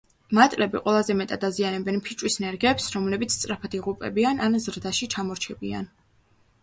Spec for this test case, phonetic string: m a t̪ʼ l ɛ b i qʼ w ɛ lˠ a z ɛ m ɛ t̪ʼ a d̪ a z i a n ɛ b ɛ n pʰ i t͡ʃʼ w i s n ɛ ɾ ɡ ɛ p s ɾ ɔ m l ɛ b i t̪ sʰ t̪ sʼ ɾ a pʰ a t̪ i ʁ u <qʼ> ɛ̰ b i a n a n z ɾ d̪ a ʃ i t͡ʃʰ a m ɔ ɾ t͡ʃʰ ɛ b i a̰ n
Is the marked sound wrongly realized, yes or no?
yes